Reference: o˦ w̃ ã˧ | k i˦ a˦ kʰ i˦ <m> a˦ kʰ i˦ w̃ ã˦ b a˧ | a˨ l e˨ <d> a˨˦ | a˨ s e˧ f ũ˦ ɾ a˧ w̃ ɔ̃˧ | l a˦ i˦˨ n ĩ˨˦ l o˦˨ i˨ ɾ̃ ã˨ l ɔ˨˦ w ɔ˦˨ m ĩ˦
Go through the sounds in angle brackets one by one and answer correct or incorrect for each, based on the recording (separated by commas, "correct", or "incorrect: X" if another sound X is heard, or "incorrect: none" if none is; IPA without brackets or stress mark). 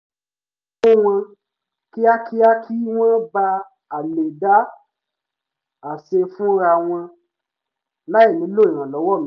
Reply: incorrect: none, correct